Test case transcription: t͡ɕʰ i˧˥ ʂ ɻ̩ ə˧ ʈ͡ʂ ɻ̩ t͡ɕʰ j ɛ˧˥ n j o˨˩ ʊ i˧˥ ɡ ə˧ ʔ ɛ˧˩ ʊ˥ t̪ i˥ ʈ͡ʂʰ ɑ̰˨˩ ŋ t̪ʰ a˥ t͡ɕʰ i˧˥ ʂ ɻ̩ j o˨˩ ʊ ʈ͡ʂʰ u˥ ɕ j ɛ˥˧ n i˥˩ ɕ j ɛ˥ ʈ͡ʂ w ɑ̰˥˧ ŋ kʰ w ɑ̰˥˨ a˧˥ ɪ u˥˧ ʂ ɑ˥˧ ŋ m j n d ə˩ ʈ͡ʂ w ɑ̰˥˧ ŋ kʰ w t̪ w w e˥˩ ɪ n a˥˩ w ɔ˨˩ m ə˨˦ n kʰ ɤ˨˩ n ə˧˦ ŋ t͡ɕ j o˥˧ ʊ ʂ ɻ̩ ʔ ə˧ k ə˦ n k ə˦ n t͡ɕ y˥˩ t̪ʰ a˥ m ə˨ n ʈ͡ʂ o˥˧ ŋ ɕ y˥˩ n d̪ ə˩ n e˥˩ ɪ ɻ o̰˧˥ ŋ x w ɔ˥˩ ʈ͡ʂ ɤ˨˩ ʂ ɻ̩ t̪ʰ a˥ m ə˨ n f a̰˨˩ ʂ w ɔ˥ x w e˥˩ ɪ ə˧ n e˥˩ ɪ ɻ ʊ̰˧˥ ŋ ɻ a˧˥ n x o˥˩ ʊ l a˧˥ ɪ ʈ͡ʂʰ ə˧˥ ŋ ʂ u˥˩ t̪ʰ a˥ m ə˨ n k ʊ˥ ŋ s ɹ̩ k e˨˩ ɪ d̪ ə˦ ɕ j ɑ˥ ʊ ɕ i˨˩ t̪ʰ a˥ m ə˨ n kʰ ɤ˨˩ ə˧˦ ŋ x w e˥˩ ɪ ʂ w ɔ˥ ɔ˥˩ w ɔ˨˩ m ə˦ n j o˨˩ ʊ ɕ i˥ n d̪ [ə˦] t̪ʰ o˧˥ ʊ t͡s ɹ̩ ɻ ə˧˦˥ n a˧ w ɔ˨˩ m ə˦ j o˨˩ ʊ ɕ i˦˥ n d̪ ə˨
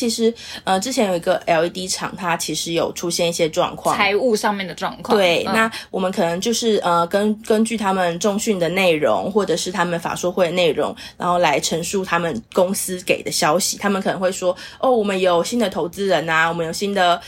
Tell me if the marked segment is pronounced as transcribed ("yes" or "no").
no